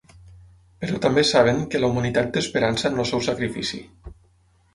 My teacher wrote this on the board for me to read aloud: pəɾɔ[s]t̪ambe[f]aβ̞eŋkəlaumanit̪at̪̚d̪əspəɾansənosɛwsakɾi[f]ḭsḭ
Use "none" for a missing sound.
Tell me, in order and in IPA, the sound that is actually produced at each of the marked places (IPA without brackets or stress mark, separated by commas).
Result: none, s, f